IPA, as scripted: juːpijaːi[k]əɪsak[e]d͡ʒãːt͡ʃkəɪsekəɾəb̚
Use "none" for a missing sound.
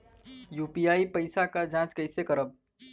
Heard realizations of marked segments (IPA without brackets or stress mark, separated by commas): p, a